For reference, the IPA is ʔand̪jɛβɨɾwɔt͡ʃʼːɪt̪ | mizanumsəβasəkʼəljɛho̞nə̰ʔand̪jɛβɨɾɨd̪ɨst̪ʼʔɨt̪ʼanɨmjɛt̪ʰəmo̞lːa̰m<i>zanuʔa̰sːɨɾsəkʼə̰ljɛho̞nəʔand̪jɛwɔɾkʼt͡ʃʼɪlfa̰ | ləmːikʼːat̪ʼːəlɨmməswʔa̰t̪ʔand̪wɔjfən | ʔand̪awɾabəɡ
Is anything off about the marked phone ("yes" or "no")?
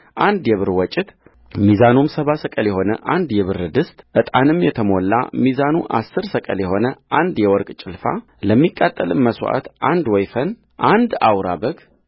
no